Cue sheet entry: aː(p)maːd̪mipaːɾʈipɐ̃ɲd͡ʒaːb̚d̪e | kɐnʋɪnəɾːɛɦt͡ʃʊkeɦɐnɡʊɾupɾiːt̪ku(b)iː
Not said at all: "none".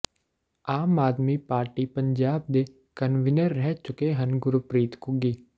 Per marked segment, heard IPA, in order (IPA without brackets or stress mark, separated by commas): none, ɡ